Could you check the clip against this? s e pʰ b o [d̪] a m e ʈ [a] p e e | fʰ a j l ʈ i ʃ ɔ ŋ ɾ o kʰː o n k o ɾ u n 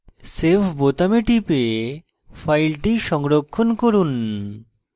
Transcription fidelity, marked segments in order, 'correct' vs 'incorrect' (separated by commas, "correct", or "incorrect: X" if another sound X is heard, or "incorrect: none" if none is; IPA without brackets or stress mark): incorrect: t̪, incorrect: i